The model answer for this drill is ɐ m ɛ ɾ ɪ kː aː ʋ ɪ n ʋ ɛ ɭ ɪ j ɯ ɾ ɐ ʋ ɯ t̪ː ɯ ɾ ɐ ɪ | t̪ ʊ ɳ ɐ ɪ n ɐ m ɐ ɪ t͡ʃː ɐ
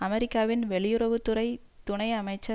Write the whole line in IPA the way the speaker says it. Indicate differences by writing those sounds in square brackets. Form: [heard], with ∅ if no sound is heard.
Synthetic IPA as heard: ɐ m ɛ ɾ ɪ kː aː ʋ ɪ n ʋ ɛ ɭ ɪ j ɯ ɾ ɐ ʋ ɯ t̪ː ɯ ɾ ɐ ɪ | t̪ ʊ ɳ ɐ ɪ [∅] ɐ m ɐ ɪ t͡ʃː ɐ